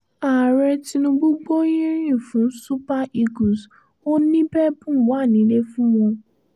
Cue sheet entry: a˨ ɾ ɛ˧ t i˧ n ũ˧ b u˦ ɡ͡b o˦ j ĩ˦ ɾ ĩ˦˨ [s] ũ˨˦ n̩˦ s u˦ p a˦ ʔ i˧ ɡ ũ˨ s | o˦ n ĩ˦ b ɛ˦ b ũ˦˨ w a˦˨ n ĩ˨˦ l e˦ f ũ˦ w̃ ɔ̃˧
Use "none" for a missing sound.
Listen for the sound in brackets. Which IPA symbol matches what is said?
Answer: f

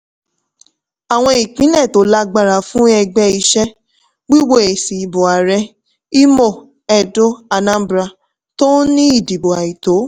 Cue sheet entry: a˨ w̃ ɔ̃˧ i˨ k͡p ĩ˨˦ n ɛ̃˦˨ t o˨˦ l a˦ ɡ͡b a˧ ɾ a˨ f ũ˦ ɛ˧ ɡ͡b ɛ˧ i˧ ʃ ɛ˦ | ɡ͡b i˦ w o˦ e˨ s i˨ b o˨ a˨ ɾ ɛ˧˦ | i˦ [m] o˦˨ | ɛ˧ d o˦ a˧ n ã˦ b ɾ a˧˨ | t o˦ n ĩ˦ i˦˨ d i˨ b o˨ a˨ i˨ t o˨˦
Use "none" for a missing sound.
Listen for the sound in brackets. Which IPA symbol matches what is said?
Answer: m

